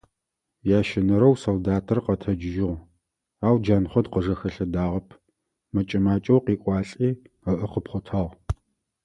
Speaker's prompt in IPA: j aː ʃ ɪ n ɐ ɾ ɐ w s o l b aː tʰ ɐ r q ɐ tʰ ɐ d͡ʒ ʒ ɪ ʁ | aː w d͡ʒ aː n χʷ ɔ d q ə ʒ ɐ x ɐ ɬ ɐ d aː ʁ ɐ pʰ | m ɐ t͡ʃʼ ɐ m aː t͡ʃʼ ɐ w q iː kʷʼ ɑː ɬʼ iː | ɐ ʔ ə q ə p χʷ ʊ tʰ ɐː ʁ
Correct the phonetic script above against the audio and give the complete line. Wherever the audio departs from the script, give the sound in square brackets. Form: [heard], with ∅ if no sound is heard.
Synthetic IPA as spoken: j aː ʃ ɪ n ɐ ɾ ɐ w s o l [d] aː tʰ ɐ r q ɐ tʰ ɐ d͡ʒ ʒ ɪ ʁ | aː w d͡ʒ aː n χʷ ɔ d q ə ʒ ɐ x ɐ ɬ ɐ d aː ʁ ɐ pʰ | m ɐ t͡ʃʼ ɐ m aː t͡ʃʼ ɐ w q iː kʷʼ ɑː ɬʼ iː | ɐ ʔ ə q ə p χʷ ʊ tʰ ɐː ʁ